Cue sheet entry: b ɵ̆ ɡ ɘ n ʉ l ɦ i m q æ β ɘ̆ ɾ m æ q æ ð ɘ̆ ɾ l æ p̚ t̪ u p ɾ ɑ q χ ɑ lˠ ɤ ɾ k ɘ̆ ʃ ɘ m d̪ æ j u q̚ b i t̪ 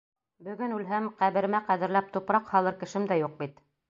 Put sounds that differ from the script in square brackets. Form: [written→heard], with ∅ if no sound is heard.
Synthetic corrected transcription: b ɵ̆ ɡ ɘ n ʉ l ɦ [i→æ] m q æ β ɘ̆ ɾ m æ q æ ð ɘ̆ ɾ l æ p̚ t̪ u p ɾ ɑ q [χ→h] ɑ lˠ ɤ ɾ k ɘ̆ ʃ ɘ m d̪ æ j u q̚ b i t̪